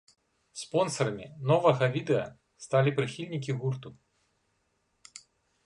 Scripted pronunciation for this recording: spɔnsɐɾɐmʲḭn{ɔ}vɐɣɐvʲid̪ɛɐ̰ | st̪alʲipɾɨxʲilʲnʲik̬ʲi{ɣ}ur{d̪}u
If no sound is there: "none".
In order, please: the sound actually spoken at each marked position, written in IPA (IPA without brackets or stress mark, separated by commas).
ɔ, ɣ, t̪